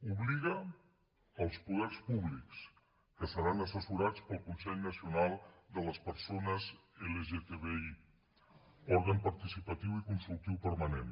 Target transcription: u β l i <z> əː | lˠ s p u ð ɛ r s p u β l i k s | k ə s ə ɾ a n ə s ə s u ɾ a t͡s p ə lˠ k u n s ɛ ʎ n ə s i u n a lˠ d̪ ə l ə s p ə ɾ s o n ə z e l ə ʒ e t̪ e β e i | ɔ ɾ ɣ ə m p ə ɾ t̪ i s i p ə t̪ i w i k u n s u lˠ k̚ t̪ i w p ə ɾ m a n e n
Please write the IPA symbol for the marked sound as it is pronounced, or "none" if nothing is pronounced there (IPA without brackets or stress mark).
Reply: ɣ